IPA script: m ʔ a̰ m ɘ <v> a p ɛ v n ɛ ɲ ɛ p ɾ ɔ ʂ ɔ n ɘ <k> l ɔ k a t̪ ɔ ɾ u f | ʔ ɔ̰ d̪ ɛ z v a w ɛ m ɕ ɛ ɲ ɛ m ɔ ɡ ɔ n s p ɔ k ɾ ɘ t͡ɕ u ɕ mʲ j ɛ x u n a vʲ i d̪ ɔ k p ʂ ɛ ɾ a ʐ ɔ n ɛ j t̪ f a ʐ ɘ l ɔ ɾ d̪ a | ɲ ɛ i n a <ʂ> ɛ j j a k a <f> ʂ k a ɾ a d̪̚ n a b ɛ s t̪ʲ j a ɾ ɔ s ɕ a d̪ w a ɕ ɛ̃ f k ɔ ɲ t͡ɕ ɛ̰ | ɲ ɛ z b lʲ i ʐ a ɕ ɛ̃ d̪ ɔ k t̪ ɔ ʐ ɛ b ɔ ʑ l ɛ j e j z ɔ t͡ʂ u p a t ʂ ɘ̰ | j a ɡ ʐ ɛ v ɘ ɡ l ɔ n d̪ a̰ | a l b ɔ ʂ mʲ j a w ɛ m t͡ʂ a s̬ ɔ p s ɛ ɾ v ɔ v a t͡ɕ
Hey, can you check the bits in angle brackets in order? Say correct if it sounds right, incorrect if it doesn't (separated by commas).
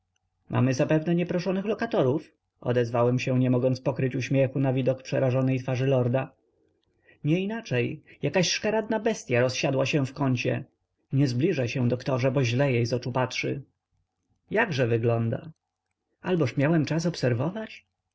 incorrect, incorrect, incorrect, incorrect